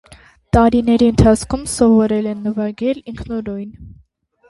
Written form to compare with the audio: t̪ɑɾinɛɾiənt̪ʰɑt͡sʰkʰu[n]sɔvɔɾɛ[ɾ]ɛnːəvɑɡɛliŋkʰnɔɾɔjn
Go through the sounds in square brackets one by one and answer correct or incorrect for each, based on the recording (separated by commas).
incorrect, incorrect